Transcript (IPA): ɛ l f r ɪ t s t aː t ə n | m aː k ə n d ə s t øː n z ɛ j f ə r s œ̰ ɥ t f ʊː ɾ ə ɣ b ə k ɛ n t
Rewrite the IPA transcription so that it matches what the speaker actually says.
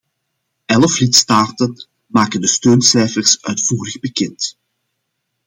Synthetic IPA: ɛ l f l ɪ t s t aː t ə n | m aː k ə n d ə s t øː n s ɛ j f ə r s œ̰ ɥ t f uː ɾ ə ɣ b ə k ɛ n t